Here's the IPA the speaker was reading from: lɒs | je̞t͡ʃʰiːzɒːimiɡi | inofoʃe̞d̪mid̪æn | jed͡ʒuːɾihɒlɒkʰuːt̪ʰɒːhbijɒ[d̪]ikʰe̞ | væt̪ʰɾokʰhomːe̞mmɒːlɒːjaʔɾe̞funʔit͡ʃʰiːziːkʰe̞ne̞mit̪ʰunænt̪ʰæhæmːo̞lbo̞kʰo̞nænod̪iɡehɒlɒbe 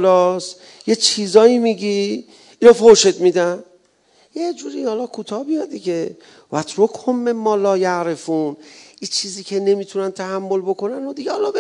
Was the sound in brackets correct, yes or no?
yes